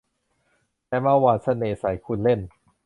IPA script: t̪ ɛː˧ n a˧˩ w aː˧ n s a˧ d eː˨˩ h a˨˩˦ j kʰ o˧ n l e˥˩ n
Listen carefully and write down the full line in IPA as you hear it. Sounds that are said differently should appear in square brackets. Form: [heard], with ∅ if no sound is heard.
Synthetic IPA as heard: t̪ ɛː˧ [m] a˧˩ w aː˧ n s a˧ [n] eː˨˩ [s] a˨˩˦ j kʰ [u˧] n l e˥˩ n